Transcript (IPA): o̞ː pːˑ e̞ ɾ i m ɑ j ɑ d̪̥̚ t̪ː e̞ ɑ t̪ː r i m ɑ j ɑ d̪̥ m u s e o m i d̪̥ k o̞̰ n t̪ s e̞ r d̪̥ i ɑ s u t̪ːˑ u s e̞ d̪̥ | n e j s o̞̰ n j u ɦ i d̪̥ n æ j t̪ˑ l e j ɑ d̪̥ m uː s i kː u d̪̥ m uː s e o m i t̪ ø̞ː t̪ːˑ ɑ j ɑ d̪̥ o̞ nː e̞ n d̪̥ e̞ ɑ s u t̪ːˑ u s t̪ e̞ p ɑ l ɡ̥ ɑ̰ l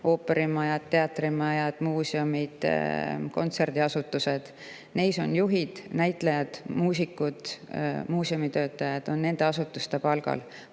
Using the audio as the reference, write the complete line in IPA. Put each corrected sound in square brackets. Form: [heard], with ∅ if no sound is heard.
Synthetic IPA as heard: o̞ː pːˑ e̞ ɾ i m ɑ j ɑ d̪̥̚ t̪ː e̞ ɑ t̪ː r i m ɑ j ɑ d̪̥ m [uː] s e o m i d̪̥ k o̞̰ n t̪ s e̞ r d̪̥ i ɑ s u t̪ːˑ u s e̞ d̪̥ | n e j s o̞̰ n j u ɦ i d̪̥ n æ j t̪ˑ l e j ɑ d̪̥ m uː s i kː u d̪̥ m uː s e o m i t̪ ø̞ː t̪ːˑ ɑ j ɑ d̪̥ o̞ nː e̞ n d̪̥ e̞ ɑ s u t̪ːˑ u s t̪ e̞ p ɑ l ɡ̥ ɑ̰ l